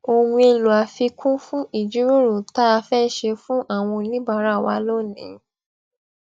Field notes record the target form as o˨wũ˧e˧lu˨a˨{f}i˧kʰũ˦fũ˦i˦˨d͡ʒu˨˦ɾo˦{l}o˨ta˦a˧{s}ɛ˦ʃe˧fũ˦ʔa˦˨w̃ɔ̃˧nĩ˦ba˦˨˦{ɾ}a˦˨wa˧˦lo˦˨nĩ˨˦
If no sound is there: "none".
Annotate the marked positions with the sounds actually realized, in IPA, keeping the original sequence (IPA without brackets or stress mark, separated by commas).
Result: f, ɾ, f, ɾ